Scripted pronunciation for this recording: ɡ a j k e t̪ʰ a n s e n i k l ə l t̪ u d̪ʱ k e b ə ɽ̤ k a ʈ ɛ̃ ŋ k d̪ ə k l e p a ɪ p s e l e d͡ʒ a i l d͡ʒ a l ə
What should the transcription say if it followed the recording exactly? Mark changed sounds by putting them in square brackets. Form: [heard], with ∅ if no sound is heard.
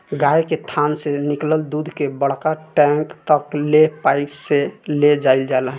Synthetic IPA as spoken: ɡ a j k e t̪ʰ a n s e n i k l ə l [d̪] u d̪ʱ k e b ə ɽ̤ k a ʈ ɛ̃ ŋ k [t̪] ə k l e p a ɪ p s e l e d͡ʒ a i l d͡ʒ a l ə